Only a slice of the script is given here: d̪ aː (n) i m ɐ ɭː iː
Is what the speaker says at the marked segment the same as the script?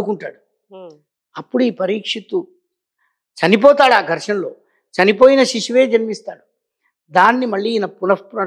no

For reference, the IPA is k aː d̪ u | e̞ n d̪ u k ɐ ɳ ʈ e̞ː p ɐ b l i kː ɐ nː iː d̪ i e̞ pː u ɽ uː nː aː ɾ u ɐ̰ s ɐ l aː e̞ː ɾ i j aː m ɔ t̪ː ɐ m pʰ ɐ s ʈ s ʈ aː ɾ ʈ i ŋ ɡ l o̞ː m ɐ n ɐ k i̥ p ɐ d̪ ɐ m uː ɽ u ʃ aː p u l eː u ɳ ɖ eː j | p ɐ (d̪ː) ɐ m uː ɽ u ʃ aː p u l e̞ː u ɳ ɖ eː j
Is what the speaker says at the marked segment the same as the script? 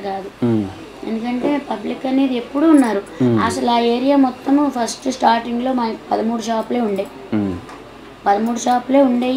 no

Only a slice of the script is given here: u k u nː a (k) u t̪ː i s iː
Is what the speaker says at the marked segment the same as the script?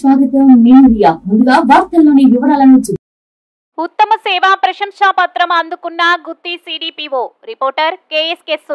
no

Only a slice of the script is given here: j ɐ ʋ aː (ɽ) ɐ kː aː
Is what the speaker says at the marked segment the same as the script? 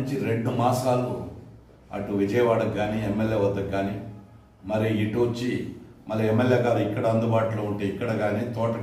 yes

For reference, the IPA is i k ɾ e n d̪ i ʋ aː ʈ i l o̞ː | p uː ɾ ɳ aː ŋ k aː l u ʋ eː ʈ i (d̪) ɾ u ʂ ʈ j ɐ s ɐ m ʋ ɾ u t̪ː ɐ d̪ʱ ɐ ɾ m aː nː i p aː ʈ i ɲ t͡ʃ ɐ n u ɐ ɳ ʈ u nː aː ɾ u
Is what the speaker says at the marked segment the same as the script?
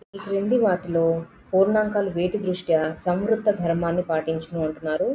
yes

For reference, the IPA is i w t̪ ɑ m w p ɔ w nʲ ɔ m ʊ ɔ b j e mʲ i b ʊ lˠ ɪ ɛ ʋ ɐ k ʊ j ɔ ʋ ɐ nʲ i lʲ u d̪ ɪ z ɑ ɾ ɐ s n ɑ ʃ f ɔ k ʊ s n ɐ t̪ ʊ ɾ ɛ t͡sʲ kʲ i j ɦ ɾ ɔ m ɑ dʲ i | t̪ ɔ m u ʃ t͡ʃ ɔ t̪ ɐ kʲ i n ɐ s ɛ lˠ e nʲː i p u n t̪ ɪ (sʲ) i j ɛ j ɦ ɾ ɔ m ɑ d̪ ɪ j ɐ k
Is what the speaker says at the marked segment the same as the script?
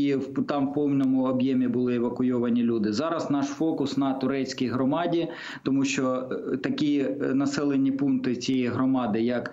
no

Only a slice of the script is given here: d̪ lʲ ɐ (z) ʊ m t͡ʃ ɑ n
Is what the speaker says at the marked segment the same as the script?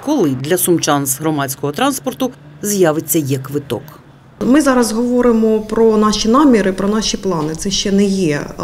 no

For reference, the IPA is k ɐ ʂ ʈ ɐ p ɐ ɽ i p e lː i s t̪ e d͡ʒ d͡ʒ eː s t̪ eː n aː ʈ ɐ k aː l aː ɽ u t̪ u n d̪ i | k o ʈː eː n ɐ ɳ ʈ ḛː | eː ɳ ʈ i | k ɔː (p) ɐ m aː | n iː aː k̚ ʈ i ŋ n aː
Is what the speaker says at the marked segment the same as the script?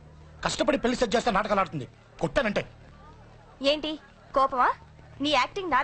yes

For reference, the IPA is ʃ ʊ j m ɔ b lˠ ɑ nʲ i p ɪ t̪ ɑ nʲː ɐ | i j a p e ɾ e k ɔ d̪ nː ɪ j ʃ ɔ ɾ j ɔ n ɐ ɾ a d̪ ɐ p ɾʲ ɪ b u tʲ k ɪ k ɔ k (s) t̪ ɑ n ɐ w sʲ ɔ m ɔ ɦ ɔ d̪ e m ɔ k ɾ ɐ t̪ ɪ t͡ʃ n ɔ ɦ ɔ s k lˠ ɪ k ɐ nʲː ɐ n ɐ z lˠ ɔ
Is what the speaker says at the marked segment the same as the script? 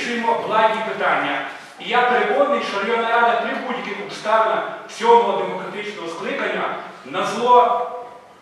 yes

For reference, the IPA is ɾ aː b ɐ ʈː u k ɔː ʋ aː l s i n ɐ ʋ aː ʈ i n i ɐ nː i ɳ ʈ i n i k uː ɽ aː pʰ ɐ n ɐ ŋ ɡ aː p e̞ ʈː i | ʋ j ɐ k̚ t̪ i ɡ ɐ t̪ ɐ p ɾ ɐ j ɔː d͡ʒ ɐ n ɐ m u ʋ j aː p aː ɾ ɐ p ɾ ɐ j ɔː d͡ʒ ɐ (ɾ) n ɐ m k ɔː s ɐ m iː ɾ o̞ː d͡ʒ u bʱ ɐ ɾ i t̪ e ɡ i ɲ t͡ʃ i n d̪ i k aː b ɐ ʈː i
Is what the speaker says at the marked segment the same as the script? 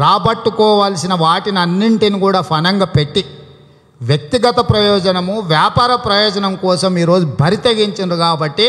no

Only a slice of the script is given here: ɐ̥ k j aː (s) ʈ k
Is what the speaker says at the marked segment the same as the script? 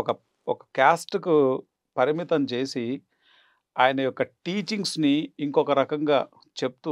yes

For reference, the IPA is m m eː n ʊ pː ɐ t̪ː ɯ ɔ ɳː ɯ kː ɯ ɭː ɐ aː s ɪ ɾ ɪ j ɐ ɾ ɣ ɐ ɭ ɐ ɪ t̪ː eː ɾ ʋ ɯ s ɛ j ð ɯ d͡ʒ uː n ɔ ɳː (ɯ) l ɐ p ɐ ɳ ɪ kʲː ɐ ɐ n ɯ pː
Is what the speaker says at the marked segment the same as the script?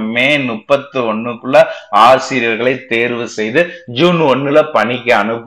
yes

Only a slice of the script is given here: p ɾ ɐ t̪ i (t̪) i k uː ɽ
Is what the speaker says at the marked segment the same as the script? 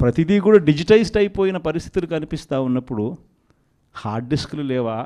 no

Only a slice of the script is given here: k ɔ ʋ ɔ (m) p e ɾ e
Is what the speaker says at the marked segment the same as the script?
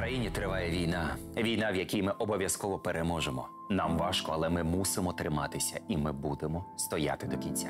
no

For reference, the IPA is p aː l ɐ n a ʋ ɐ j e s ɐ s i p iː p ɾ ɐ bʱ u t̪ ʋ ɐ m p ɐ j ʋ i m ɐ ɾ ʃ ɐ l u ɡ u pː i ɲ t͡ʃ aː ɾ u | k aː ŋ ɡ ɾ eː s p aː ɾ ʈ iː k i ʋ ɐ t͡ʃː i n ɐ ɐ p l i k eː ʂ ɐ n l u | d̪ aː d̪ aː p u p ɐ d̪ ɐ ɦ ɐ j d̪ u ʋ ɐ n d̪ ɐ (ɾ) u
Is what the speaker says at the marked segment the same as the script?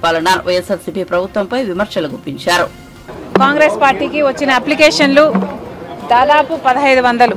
no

